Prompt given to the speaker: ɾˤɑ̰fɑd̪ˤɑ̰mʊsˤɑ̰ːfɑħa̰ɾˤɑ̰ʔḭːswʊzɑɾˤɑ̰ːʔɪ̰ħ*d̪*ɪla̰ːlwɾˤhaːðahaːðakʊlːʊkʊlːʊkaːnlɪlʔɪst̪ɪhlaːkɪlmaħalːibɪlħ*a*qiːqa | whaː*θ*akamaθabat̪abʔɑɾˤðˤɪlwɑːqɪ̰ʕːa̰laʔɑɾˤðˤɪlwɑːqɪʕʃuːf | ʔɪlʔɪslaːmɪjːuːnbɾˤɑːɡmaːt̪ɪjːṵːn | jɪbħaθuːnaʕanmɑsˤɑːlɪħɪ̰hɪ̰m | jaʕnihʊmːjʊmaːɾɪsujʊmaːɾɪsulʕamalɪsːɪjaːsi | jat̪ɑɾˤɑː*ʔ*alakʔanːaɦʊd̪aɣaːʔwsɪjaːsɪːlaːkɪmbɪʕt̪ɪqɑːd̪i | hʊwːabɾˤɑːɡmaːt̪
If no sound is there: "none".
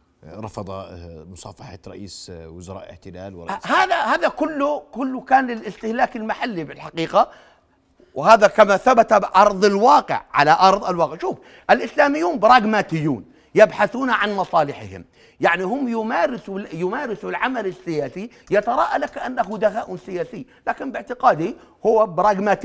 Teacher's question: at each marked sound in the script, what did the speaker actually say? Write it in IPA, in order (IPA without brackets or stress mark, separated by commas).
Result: t̪, a, ð, ʔ